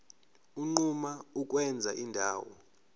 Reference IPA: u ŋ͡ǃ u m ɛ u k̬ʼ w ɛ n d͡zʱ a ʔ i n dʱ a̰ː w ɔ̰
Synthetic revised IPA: u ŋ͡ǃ u m a u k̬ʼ w ɛ n d͡zʱ a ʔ i n dʱ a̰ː w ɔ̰